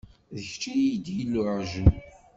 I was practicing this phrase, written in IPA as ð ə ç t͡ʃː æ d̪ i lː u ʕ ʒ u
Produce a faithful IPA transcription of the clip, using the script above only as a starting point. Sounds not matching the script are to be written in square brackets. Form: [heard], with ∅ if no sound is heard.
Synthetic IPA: ð ə ç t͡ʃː [i] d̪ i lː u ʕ ʒ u

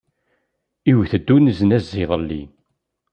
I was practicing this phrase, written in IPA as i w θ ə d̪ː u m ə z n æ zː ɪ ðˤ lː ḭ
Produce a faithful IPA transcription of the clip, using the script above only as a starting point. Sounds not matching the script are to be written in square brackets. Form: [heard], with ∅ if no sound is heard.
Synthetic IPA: i w θ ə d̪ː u [n] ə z n æ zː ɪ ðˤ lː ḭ

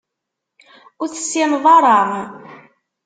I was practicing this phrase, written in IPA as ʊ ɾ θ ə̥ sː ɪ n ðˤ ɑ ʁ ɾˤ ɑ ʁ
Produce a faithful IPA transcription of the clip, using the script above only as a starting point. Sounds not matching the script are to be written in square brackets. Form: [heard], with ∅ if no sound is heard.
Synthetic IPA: ʊ ɾ θ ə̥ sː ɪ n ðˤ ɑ [∅] ɾˤ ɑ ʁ

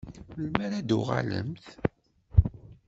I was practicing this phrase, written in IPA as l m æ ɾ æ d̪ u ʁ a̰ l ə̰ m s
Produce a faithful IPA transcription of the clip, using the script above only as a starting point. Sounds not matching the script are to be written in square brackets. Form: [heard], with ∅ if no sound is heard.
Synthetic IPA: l m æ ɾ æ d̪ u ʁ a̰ l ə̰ m [θ]

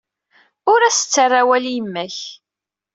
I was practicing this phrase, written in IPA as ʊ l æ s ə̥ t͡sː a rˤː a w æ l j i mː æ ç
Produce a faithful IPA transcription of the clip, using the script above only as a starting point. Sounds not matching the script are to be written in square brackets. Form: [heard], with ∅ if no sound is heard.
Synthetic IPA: ʊ [ɾ] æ s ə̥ t͡sː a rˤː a w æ l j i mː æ ç

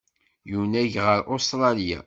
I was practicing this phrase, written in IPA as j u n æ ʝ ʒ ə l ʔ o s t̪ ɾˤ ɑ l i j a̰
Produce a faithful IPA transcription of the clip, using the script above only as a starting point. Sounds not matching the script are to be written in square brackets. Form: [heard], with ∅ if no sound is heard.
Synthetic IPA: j u n æ ʝ [ʁ] ə [ɾ] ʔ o s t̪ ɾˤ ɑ l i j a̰

